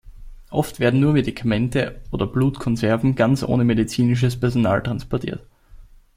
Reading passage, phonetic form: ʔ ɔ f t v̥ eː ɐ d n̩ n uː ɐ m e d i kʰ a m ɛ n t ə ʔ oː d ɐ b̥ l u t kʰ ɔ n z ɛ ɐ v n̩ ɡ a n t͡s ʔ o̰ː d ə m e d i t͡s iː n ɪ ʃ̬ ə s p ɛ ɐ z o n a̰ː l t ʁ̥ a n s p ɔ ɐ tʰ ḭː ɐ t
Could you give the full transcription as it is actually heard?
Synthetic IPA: ʔ ɔ f t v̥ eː ɐ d n̩ n uː ɐ m e d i kʰ a m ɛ n t ə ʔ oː d ɐ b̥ l uː t kʰ ɔ n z ɛ ɐ v n̩ ɡ a n t͡s ʔ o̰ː n ə m e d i t͡s iː n ɪ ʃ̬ ə s p ɛ ɐ z o n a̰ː l t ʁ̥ a n s p ɔ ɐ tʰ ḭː ɐ t